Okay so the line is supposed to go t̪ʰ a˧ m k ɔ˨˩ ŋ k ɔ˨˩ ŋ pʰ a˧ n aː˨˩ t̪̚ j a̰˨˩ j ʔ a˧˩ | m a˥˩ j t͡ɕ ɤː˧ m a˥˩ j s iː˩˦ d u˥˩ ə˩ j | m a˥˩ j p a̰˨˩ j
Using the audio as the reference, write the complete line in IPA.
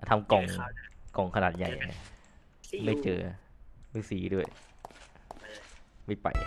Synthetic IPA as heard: t̪ʰ a˧ m k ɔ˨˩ ŋ k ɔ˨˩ ŋ kʰ a˧ n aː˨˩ t̪̚ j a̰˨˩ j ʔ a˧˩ | m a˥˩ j t͡ɕ ɤː˧ m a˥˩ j s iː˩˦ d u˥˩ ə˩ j | m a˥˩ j p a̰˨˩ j